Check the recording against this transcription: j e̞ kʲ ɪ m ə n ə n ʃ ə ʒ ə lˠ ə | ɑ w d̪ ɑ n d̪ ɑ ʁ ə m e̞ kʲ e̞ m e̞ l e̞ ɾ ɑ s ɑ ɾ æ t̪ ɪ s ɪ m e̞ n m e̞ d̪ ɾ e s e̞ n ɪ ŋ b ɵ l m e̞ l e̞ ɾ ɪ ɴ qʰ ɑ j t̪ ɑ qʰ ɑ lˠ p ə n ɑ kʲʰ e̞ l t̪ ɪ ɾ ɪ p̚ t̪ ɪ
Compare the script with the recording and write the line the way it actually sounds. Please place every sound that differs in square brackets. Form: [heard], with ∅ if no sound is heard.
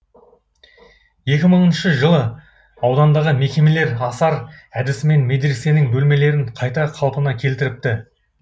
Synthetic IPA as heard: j e̞ kʲ ɪ m ə [ɴ] ə n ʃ ə ʒ ə lˠ ə | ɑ w d̪ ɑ n d̪ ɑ ʁ ə m e̞ kʲ e̞ m e̞ l e̞ ɾ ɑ s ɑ ɾ æ [d̪] ɪ s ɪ m e̞ n m e̞ d̪ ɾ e s e̞ n ɪ ŋ b ɵ l m e̞ l e̞ ɾ ɪ ɴ qʰ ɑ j t̪ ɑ qʰ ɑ lˠ p ə n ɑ kʲʰ e̞ l t̪ ɪ ɾ ɪ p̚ t̪ ɪ

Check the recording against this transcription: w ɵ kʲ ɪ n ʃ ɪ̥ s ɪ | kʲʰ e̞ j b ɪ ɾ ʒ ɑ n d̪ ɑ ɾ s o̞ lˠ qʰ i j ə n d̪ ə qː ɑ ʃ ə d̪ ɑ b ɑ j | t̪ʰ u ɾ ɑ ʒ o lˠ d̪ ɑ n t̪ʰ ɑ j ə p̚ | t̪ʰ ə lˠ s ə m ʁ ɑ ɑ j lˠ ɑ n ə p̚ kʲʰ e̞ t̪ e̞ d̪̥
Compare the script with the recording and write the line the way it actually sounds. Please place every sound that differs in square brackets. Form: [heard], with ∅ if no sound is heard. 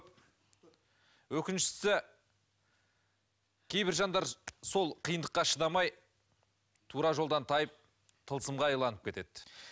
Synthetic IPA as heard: w ɵ kʲ ɪ n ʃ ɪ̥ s ɪ | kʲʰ e̞ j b ɪ ɾ ʒ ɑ n d̪ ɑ ɾ s o̞ lˠ qʰ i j ə n d̪ ə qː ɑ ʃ ə d̪ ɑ [m] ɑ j | t̪ʰ u ɾ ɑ ʒ o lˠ d̪ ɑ n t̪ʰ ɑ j ə p̚ | t̪ʰ ə lˠ s ə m ʁ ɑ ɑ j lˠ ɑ n ə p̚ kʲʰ e̞ t̪ e̞ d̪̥

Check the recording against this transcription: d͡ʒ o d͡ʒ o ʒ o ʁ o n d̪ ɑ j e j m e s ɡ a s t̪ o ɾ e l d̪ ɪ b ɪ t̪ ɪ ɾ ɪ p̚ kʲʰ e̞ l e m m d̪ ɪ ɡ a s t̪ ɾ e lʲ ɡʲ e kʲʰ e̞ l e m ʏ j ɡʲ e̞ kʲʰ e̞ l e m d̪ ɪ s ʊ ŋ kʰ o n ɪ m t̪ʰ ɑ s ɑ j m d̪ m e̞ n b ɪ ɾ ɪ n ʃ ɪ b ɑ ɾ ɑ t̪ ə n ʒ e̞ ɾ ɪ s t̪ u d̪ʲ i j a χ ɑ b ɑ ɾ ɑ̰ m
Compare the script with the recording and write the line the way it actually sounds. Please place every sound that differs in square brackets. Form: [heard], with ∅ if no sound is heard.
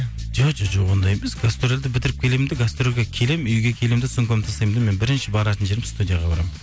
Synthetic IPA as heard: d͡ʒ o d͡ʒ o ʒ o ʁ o n d̪ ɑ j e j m e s ɡ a s t̪ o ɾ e l d̪ ɪ b ɪ t̪ ɪ ɾ ɪ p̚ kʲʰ e̞ l e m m d̪ ɪ ɡ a s t̪ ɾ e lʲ ɡʲ e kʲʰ e̞ l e m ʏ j ɡʲ e̞ kʲʰ e̞ l e m d̪ ɪ s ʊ ŋ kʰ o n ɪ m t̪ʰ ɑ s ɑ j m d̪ m e̞ n b ɪ ɾ ɪ n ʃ ɪ b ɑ ɾ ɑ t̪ ə n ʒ e̞ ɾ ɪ s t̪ u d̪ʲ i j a [ʁ] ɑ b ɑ ɾ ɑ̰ m

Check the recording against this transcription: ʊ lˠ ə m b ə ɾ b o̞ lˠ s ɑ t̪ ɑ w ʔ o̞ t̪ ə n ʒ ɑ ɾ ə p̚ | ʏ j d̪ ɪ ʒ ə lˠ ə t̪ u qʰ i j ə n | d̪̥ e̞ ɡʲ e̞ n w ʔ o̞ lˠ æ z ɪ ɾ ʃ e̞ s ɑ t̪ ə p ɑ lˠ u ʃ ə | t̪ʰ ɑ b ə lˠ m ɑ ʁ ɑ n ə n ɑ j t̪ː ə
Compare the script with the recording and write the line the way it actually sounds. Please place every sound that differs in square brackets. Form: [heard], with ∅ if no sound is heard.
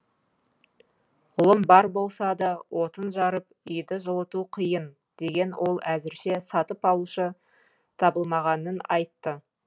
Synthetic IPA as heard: ʊ lˠ ə m b [ɑ] ɾ b o̞ lˠ s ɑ [d̪] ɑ w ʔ o̞ t̪ ə n ʒ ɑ ɾ ə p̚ | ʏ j d̪ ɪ ʒ ə lˠ ə t̪ u qʰ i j ə n | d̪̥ e̞ ɡʲ e̞ n w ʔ o̞ lˠ æ z ɪ ɾ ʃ e̞ s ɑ t̪ ə p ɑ lˠ u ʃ ə | t̪ʰ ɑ b ə lˠ m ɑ ʁ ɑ n ə n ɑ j t̪ː ə

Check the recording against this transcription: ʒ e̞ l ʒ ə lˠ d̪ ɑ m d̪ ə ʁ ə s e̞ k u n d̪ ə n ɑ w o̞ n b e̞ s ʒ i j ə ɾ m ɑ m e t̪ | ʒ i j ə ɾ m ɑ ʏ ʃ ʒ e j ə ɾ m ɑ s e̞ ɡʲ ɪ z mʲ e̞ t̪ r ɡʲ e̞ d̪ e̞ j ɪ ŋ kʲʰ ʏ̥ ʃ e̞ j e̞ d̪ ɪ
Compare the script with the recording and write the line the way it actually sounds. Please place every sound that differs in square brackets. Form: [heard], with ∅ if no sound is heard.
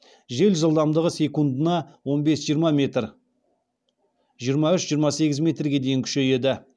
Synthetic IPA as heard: ʒ e̞ l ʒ ə lˠ d̪ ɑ m d̪ ə ʁ ə s e̞ k u n d̪ ə n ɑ w o̞ n b e̞ s ʒ i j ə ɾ m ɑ m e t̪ | ʒ i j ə ɾ m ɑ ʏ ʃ ʒ [i] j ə ɾ m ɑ s e̞ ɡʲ ɪ z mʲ e̞ t̪ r ɡʲ e̞ d̪ e̞ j ɪ ŋ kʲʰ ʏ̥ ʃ e̞ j e̞ d̪ ɪ

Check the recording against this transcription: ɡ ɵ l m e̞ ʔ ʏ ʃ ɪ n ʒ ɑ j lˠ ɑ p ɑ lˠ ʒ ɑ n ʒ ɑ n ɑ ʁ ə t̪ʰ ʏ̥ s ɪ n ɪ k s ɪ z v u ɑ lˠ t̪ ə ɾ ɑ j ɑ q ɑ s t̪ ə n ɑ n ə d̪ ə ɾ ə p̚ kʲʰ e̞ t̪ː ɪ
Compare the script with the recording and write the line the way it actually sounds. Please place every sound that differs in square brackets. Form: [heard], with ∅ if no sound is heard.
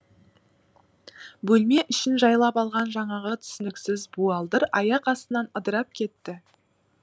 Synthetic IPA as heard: [b] ɵ l m e̞ ʔ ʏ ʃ ɪ n ʒ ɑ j lˠ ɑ p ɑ lˠ [ʁ] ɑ n ʒ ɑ [ɴ] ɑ ʁ ə t̪ʰ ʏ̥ s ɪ n ɪ k s ɪ z [b] u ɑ lˠ [d̪] ə ɾ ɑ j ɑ q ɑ s t̪ ə n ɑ n ə d̪ ə ɾ [ɑ] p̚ kʲʰ e̞ t̪ː ɪ

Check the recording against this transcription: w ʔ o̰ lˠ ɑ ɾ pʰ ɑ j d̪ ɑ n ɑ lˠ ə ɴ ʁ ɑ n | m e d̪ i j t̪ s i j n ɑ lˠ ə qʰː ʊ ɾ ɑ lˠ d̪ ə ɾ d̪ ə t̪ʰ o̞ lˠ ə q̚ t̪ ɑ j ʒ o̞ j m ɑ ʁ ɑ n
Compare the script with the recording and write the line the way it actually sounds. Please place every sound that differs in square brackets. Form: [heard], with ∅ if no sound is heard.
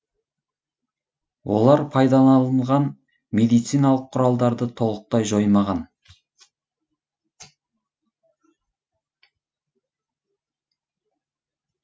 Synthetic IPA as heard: w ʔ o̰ lˠ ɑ ɾ pʰ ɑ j d̪ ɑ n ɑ lˠ ə ɴ ʁ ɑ n | m e d̪ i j t̪ s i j n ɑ lˠ ə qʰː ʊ ɾ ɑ lˠ d̪ [ɑ] ɾ d̪ ə t̪ʰ o̞ lˠ ə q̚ t̪ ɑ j ʒ o̞ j m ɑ ʁ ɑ n

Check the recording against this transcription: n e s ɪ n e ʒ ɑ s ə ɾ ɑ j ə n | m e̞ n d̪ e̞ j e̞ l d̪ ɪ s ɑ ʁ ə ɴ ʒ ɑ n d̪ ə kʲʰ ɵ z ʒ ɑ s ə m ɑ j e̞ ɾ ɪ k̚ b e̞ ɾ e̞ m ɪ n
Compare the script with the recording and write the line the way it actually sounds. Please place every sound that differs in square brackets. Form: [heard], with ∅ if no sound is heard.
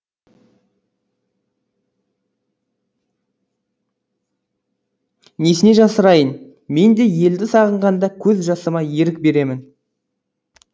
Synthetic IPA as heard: n e s ɪ n e ʒ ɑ s ə ɾ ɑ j ə n | m e̞ n d̪ e̞ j e̞ l d̪ ɪ s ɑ ʁ ə ɴ [ʁ] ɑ n d̪ [ɑ] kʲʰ ɵ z ʒ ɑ s ə m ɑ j e̞ ɾ ɪ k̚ b e̞ ɾ e̞ m ɪ n

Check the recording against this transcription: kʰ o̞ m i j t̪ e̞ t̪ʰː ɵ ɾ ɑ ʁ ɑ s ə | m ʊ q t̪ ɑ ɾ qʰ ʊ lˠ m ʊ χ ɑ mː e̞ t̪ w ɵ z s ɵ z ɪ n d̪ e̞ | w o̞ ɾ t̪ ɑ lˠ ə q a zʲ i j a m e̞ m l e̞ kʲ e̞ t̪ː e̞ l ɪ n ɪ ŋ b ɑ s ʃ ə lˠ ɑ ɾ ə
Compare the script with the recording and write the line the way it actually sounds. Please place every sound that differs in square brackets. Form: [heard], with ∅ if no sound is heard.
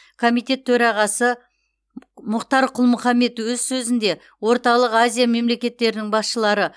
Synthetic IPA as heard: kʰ o̞ m i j t̪ e̞ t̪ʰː ɵ ɾ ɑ ʁ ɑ s ə | m ʊ q t̪ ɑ ɾ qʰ ʊ lˠ m ʊ χ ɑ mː e̞ t̪ w ɵ z s ɵ z ɪ n d̪ e̞ | w o̞ ɾ t̪ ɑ lˠ ə q a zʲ i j a m e̞ m l e̞ kʲ e̞ t̪ː e̞ [ɾ] ɪ n ɪ ŋ b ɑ s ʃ ə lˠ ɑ ɾ ə

